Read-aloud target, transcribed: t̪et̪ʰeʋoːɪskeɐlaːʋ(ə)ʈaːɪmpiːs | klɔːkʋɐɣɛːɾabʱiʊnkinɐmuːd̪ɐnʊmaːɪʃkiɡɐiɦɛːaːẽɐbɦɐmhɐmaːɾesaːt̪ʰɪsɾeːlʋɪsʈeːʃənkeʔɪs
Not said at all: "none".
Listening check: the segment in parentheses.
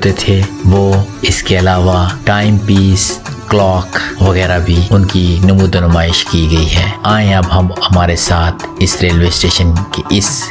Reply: a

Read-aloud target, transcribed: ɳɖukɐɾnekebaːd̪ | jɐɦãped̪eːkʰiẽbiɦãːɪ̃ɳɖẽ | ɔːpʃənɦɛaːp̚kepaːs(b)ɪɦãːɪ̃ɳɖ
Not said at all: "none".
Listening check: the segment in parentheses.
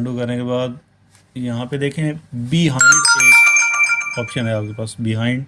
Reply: b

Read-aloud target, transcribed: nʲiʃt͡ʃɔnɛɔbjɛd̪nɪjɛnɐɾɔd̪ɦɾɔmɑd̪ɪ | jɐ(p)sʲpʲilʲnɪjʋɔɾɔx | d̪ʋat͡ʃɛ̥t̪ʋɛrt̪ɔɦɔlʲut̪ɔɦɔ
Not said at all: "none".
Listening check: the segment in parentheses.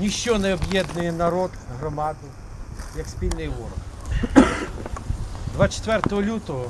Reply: k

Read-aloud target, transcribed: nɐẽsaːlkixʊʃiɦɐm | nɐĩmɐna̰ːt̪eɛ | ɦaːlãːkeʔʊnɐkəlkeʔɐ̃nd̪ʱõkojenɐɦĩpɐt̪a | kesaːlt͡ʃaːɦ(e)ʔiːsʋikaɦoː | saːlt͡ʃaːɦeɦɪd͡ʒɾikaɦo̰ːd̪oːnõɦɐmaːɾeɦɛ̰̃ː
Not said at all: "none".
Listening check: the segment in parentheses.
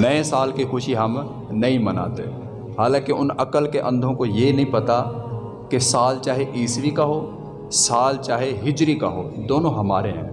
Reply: e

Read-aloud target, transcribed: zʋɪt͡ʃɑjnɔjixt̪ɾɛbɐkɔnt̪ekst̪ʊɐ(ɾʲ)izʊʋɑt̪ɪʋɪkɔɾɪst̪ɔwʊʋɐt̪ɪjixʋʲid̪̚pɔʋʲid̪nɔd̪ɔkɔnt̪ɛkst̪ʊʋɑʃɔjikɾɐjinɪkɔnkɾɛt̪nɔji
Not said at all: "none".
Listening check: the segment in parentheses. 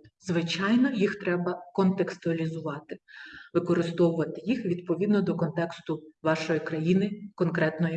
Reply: lʲ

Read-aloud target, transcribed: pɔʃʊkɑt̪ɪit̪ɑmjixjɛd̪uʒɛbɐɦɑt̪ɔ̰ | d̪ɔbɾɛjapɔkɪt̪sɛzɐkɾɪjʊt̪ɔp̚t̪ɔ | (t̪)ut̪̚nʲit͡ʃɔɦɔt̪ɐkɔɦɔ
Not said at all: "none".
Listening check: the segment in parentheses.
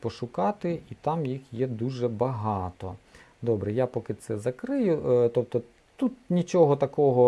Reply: t̪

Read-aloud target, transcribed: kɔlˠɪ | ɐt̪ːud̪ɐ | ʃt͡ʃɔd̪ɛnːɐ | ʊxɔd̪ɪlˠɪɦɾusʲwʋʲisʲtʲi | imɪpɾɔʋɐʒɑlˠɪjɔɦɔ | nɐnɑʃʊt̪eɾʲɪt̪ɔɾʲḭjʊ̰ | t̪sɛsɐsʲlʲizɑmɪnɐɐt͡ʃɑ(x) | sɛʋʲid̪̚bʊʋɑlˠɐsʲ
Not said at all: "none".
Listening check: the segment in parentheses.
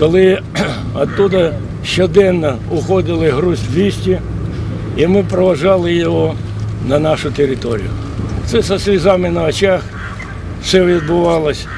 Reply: x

